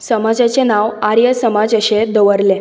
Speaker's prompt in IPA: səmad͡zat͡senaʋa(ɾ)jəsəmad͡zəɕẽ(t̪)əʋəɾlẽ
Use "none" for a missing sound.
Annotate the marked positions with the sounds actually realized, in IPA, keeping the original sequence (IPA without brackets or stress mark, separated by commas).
ɾ, d̪